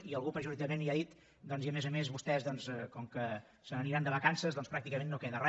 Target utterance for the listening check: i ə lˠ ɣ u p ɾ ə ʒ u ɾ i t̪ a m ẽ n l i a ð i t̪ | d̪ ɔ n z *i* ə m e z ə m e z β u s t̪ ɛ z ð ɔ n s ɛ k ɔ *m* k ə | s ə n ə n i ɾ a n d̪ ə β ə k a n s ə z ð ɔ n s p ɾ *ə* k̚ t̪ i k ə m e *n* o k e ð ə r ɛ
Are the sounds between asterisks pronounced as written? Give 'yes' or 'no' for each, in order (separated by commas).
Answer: yes, no, no, no